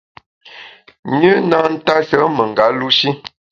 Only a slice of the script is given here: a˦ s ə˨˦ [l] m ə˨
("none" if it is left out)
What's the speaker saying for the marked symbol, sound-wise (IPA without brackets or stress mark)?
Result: none